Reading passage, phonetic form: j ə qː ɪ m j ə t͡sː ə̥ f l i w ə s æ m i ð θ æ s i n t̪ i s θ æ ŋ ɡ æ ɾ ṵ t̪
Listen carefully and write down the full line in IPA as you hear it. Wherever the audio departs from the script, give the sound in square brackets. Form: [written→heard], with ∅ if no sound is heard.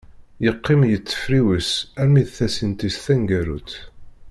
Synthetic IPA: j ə qː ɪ m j ə t͡sː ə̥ f [l→ɾ] i w ə s æ m i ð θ æ s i n t̪ i s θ æ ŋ ɡ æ ɾ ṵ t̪

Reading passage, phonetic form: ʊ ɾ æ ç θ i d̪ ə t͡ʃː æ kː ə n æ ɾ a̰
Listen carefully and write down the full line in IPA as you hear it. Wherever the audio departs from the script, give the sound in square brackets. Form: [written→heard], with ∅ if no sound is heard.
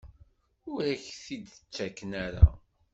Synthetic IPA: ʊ ɾ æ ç θ i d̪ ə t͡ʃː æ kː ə n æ ɾ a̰

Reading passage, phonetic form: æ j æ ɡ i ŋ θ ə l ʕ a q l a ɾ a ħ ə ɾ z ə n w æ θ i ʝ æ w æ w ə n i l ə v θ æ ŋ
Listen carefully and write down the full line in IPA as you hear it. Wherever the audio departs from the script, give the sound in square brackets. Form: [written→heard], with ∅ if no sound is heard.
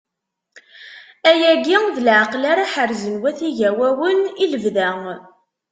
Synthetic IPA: æ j æ ɡ i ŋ [θ→ð] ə l ʕ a q l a ɾ a ħ ə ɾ z ə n w æ θ i ʝ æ w æ w ə n i l ə v [θ→ð] æ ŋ

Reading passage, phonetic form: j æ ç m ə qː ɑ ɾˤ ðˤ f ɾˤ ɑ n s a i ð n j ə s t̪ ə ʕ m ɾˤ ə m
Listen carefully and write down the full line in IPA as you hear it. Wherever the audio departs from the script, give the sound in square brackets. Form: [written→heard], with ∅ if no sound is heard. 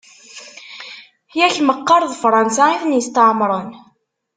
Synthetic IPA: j æ ç m ə qː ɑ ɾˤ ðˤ f ɾˤ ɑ n s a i [ð→θ] n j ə s t̪ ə ʕ m ɾˤ ə [m→n]

